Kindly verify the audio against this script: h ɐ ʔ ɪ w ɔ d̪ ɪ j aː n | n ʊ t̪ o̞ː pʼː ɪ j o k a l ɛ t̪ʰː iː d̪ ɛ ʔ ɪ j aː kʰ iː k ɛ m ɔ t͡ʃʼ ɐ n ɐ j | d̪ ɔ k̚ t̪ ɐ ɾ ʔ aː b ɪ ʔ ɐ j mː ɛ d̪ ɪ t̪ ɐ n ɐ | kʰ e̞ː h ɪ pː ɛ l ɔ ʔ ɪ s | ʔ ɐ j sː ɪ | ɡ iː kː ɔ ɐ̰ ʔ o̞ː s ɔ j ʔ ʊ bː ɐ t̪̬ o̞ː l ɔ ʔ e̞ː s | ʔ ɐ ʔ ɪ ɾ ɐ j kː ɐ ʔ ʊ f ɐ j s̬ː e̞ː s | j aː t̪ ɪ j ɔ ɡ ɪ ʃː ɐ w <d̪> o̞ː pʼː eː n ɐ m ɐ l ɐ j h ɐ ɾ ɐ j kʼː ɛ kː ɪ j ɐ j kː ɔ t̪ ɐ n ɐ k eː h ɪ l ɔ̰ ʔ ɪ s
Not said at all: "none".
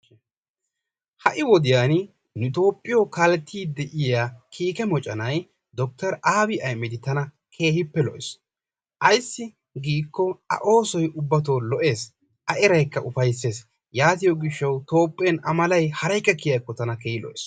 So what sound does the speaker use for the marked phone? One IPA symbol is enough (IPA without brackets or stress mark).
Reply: t̪